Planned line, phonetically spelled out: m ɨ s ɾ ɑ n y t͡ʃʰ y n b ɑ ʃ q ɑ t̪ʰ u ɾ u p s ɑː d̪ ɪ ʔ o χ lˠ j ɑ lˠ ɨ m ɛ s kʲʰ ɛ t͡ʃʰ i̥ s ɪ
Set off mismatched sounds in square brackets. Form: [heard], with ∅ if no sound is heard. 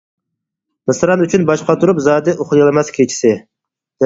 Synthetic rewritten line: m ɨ s ɾ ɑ n y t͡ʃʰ y n b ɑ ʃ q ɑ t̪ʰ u ɾ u p [z] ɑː d̪ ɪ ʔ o χ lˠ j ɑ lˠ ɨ m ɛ s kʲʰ [e] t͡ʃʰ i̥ s ɪ